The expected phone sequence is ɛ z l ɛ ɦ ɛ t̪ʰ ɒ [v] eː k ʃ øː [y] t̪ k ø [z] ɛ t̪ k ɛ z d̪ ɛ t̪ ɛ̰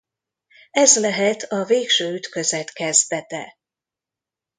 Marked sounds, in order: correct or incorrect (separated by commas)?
correct, correct, correct